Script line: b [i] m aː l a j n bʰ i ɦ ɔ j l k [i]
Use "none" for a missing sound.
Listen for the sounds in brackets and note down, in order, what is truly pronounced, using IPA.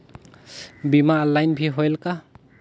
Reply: i, a

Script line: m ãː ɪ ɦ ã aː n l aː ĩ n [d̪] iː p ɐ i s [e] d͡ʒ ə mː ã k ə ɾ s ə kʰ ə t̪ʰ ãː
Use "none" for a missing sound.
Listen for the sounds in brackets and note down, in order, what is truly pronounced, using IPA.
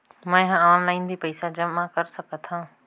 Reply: d̪, a

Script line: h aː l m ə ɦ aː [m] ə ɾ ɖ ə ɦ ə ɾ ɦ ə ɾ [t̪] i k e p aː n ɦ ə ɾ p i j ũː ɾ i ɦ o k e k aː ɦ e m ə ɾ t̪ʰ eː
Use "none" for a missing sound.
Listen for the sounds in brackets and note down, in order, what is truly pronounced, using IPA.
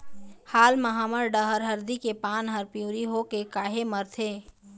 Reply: m, d̪

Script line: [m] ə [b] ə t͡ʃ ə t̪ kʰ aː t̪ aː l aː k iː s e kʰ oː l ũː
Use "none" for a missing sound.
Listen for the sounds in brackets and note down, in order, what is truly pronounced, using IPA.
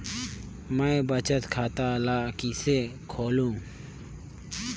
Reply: m, b

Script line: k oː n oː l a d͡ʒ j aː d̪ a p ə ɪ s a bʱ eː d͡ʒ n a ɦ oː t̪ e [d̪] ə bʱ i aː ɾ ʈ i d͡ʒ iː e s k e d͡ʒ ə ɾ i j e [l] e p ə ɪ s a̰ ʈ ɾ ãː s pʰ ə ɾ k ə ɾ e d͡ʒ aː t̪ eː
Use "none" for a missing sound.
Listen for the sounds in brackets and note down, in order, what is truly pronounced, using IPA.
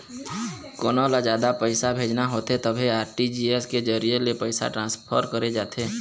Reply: t̪, l

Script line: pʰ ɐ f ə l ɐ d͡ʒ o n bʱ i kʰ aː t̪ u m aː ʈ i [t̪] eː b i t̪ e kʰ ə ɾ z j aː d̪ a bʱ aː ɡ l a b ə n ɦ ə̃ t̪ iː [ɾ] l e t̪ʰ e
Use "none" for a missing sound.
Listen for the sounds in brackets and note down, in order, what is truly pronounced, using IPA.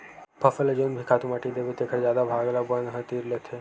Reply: d̪, ɾ

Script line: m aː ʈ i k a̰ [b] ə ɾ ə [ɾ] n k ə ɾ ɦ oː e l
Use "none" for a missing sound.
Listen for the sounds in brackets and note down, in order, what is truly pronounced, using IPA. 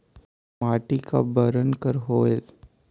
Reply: b, none

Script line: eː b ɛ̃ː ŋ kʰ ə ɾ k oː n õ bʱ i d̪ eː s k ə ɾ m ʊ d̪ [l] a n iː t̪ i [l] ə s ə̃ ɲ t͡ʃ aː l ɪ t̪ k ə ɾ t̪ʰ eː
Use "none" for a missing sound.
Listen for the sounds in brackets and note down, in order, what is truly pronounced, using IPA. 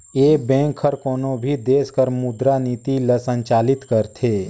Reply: ɾ, l

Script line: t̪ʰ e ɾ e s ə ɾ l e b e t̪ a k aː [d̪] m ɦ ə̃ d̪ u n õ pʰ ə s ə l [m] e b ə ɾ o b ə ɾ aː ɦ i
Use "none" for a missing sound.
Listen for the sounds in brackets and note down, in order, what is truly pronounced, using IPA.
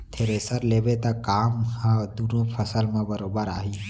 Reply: none, m

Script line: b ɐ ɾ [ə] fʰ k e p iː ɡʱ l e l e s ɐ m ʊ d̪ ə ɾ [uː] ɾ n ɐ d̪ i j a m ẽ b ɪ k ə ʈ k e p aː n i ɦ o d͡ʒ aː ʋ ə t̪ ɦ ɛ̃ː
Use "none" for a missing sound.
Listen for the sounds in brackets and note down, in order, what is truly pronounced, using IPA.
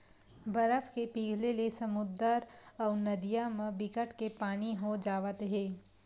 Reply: ə, ɔː

